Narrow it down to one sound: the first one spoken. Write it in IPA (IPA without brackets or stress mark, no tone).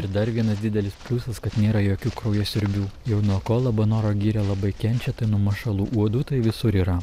ɪ